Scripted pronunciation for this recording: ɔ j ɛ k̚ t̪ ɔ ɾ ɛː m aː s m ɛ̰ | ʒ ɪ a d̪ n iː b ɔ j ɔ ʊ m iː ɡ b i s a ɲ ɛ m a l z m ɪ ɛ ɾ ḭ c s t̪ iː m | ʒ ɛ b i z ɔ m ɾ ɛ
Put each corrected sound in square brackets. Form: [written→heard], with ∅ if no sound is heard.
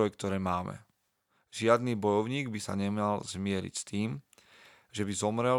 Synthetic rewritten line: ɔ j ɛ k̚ t̪ ɔ ɾ ɛː m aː [s→∅] m ɛ̰ | ʒ ɪ a d̪ n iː b ɔ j ɔ ʊ [m→ɲ] iː ɡ b i s a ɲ ɛ m a l z m ɪ ɛ ɾ ḭ c s t̪ iː m | ʒ ɛ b i z ɔ m ɾ ɛ